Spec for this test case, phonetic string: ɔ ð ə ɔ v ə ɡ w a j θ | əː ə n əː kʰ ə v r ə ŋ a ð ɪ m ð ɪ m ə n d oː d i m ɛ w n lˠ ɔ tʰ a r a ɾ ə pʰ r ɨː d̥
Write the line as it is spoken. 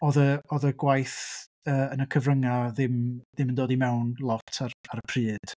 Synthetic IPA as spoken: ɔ ð ə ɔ ð ə ɡ w a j θ | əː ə n ə kʰ ə v r ə ŋ a ð ɪ m ð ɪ m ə n d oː d i m ɛ w n lˠ ɔ tʰ a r a ɾ ə pʰ r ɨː d̥